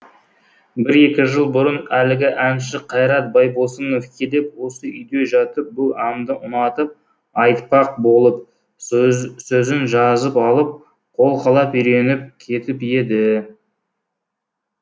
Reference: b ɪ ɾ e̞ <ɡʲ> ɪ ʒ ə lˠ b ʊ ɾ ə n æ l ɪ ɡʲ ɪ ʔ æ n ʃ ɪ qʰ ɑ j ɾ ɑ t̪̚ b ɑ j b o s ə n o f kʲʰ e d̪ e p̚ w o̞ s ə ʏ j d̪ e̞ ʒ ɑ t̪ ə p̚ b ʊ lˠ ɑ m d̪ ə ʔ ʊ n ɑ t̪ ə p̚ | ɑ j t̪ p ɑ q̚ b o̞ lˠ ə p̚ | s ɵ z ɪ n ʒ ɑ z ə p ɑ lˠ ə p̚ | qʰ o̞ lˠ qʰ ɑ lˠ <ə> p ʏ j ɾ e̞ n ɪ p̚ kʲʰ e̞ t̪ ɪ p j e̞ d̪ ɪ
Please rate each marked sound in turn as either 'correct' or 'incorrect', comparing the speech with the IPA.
incorrect: kʲ, incorrect: ɑ

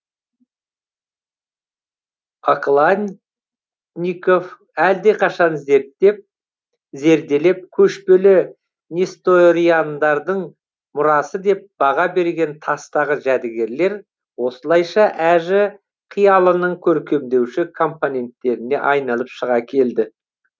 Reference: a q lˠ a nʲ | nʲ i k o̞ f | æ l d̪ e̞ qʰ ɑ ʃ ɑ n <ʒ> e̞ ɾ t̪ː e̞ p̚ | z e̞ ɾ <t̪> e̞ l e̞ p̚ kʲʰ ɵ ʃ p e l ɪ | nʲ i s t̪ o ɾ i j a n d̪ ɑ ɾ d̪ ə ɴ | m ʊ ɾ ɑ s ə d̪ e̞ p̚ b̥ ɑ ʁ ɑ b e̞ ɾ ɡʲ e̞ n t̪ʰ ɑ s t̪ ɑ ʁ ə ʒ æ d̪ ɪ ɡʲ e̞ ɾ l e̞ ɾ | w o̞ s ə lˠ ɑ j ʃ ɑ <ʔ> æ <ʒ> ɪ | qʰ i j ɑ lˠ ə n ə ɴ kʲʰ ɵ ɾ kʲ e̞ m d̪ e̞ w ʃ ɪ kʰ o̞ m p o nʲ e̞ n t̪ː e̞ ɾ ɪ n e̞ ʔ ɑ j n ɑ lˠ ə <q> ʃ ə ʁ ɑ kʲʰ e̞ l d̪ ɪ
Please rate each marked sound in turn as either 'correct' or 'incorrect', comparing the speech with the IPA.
incorrect: z, incorrect: d̪, correct, correct, incorrect: p

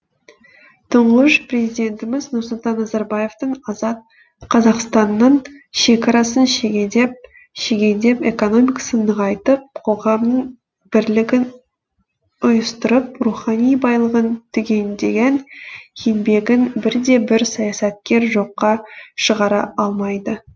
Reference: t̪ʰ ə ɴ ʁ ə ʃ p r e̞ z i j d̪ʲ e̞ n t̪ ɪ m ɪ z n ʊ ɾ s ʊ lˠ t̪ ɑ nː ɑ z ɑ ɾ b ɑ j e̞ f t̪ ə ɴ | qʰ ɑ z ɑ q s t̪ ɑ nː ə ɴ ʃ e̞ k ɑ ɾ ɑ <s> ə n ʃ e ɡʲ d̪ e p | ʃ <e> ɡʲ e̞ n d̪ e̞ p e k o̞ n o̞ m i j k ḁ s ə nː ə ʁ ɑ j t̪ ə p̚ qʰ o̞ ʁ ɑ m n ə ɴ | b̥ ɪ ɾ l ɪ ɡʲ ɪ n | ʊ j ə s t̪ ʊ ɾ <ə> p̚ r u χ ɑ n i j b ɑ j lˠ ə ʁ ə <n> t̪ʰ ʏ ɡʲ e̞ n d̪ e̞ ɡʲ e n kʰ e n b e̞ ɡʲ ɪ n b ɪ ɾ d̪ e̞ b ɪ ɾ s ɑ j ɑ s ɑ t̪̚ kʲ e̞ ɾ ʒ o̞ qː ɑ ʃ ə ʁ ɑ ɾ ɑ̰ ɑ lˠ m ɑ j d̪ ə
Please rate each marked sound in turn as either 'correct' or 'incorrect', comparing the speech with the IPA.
correct, correct, correct, correct

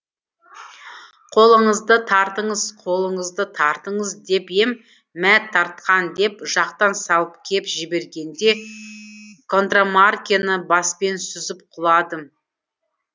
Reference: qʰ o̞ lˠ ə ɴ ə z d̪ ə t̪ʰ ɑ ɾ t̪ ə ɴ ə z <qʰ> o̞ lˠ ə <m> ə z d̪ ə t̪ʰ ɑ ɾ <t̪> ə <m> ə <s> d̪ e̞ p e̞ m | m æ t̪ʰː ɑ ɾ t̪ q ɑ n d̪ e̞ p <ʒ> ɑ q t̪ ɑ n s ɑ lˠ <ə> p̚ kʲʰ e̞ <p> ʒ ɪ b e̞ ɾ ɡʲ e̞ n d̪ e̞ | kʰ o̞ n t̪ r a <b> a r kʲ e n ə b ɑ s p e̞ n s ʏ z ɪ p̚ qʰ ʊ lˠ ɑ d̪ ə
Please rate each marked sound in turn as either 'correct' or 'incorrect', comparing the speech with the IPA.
correct, incorrect: ɴ, correct, incorrect: ɴ, incorrect: z, correct, correct, correct, incorrect: m

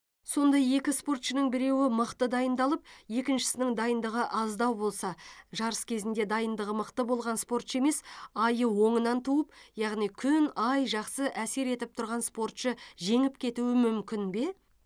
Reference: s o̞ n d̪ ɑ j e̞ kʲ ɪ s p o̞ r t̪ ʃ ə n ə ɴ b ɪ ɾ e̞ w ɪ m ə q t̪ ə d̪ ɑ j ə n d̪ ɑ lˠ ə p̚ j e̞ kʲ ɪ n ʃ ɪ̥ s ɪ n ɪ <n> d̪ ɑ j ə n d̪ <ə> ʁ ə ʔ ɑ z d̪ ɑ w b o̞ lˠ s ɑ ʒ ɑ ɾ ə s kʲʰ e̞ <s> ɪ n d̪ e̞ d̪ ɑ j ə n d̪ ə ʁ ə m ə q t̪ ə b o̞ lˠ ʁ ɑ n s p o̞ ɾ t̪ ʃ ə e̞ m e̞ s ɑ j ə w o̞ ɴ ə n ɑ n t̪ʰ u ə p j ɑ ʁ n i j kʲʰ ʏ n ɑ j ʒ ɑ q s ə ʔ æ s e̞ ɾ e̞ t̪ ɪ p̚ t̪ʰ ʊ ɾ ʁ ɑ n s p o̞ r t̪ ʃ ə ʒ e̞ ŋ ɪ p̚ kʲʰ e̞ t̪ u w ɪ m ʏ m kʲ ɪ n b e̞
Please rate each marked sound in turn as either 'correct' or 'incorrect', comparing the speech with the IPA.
incorrect: ŋ, correct, incorrect: z

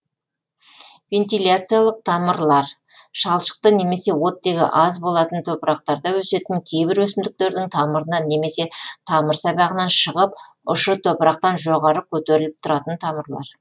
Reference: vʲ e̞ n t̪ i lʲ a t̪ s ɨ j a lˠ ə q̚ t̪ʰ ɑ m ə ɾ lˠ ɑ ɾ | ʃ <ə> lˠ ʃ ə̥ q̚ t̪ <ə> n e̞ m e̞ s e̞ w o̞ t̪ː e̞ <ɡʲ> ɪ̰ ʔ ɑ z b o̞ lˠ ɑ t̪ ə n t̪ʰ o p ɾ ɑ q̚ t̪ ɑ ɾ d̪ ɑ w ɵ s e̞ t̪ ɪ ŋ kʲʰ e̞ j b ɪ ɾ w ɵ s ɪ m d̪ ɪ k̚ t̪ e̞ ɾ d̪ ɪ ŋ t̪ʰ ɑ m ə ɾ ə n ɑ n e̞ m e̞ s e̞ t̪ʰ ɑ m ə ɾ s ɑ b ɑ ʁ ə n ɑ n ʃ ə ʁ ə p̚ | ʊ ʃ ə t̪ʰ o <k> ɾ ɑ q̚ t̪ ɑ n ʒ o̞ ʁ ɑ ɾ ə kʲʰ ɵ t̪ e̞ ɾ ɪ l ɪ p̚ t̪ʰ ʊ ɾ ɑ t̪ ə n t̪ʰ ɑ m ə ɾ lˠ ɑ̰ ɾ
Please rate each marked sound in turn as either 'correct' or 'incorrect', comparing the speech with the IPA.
incorrect: ɑ, correct, correct, incorrect: p

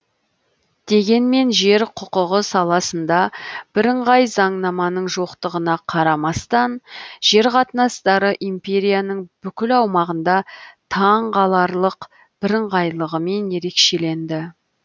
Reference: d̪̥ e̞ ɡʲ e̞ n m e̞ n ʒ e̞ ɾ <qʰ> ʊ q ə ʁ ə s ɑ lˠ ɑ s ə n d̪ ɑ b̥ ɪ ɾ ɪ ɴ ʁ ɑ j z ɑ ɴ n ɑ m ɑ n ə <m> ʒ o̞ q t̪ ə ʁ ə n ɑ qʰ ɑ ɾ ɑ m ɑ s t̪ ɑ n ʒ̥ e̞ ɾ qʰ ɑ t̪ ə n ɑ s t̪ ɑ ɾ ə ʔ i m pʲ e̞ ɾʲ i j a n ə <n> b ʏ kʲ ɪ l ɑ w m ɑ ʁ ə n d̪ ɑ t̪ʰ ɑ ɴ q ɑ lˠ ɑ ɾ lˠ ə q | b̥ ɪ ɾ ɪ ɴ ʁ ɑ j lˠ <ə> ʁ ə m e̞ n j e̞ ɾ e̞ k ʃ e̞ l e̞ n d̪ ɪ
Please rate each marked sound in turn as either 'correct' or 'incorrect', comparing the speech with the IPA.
correct, incorrect: ɴ, incorrect: ɴ, correct

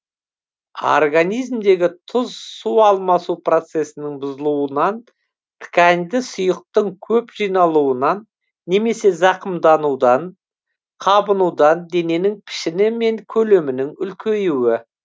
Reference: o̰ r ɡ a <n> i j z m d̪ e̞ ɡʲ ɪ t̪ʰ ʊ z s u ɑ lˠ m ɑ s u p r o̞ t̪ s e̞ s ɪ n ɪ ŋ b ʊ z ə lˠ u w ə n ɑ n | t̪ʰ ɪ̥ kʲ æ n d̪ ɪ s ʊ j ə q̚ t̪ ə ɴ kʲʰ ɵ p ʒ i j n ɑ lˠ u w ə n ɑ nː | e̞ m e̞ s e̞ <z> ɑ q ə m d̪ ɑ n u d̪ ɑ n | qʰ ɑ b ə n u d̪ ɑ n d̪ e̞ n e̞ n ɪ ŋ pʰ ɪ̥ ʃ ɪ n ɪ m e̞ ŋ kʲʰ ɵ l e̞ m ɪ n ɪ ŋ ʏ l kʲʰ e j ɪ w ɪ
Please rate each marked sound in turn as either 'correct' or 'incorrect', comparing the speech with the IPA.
correct, correct

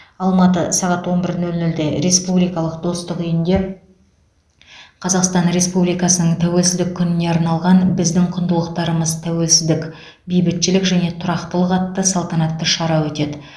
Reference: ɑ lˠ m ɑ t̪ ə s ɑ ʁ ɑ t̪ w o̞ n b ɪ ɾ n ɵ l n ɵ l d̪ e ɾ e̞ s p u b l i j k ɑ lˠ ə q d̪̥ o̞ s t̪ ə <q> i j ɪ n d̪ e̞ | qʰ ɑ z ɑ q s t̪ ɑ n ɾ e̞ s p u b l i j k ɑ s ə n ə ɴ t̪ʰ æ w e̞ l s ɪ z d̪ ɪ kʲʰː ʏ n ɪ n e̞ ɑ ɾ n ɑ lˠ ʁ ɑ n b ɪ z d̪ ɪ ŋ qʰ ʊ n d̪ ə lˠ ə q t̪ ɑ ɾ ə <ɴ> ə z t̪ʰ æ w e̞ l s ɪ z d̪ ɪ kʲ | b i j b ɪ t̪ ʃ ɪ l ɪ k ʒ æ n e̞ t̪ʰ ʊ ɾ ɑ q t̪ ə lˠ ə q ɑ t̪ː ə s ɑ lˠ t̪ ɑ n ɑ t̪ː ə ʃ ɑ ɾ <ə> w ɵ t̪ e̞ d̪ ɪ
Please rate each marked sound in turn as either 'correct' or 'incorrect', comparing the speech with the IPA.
correct, incorrect: m, incorrect: ɑ

